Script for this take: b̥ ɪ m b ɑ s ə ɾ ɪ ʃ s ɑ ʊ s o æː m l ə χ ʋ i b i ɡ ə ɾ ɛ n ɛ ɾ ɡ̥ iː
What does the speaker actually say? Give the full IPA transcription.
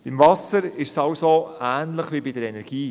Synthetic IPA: b̥ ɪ m v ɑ s ə ɾ ɪ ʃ s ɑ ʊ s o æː n l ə χ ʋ i b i d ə ɾ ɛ n ɛ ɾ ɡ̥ iː